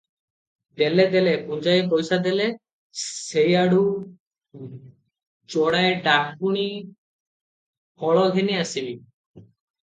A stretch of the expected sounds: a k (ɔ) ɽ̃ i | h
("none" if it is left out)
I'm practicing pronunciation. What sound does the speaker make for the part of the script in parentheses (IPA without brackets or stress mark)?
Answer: u